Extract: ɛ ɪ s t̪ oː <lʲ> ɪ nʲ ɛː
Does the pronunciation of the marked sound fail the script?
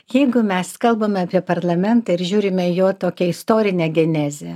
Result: yes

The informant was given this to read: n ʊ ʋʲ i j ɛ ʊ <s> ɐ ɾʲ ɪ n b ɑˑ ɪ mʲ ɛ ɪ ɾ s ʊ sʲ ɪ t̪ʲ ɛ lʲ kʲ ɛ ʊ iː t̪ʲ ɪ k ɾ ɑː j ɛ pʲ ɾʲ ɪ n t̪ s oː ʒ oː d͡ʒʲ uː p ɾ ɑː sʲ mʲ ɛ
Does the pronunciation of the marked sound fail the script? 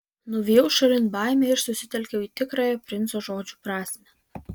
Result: yes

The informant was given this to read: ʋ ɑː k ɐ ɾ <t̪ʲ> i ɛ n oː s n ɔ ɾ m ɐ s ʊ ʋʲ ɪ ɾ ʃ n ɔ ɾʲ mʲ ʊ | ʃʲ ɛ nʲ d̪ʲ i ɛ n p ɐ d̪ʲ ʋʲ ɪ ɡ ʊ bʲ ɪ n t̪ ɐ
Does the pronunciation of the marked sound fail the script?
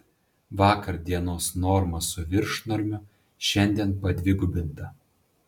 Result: yes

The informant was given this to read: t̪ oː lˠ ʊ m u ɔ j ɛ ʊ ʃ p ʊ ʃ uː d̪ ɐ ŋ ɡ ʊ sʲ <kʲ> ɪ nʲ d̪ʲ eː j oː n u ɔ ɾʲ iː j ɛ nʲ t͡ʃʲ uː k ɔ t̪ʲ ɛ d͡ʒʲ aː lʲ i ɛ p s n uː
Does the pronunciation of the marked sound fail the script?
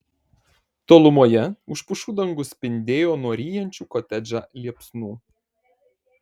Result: yes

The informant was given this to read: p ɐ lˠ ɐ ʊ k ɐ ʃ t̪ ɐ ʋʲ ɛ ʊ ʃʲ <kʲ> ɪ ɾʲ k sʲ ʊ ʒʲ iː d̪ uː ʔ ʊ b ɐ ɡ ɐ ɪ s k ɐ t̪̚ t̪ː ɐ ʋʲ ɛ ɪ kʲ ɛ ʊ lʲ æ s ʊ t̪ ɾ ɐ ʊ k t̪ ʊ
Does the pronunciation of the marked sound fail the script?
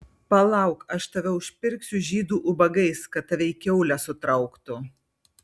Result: yes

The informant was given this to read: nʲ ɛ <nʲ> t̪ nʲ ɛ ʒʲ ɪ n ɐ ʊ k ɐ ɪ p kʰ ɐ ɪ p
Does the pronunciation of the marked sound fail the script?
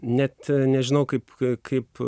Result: yes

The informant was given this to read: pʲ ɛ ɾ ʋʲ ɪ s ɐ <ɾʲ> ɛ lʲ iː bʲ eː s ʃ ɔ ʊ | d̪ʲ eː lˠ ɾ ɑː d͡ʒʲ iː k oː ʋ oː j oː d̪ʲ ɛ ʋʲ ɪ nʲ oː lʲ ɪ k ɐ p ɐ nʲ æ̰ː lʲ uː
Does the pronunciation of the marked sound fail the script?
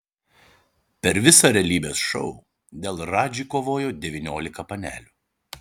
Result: no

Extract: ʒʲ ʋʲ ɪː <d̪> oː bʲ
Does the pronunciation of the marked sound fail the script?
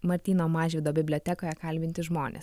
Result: no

